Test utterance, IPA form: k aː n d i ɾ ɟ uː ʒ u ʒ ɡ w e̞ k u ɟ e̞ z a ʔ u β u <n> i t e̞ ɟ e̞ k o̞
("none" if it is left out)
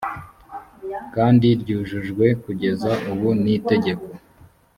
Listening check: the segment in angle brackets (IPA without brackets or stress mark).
n